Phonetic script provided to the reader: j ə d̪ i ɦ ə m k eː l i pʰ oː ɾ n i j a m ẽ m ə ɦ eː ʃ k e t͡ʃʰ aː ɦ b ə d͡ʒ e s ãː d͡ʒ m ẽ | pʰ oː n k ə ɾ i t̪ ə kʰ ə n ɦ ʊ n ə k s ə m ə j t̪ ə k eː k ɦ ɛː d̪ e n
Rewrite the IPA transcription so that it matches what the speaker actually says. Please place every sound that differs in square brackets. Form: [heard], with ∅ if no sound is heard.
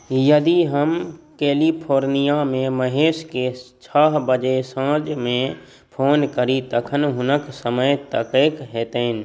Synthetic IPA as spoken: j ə d̪ i ɦ ə m k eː l i pʰ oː ɾ n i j a m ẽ m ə ɦ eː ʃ k e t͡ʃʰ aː ɦ b ə d͡ʒ e s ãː d͡ʒ m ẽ | pʰ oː n k ə ɾ i t̪ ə kʰ ə n ɦ ʊ n ə k s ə m ə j t̪ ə k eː k ɦ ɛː [t̪] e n